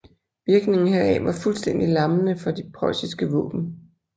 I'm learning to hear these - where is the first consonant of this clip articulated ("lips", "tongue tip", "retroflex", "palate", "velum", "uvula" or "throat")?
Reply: lips